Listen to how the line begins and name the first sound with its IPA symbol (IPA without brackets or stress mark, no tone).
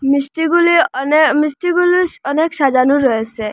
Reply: m